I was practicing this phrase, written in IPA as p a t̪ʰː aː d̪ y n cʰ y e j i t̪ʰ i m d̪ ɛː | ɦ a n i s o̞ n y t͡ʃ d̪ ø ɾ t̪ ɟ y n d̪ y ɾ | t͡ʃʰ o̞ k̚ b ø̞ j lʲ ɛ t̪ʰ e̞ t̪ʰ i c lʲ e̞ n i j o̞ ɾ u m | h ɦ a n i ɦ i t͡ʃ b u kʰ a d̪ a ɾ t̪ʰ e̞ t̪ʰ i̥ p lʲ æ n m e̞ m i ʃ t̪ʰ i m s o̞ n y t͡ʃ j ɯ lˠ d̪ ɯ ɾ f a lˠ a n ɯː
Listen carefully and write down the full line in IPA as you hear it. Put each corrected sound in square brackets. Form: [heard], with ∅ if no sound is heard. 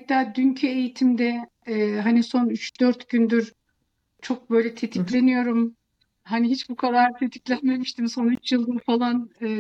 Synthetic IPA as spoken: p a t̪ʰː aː d̪ y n cʰ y e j i t̪ʰ i m d̪ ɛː | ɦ a n i s o̞ n y t͡ʃ d̪ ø ɾ t̪ ɟ y n d̪ y ɾ | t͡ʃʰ o̞ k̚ b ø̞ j lʲ ɛ t̪ʰ e̞ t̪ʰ i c lʲ e̞ n i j o̞ ɾ u m | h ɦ a n i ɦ i t͡ʃ b u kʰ a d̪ a ɾ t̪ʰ e̞ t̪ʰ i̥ [c] lʲ æ n m e̞ m i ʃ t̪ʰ i m s o̞ n y t͡ʃ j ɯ lˠ d̪ ɯ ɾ f a lˠ a n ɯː